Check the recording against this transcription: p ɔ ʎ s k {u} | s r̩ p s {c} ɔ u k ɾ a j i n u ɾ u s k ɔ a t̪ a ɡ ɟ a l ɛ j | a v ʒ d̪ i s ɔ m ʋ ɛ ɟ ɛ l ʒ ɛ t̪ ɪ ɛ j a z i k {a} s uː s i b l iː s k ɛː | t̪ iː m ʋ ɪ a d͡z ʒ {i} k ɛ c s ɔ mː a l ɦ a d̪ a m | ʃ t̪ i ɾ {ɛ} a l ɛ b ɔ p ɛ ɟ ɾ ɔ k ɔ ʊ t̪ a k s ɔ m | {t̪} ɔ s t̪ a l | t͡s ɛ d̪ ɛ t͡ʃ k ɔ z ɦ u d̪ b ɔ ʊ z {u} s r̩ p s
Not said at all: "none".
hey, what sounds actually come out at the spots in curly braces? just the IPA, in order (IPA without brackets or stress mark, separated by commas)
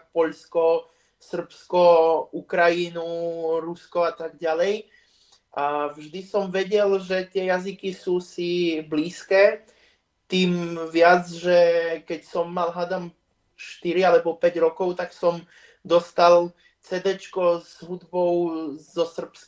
ɔ, k, i, ɛ, i, d̪, ɔ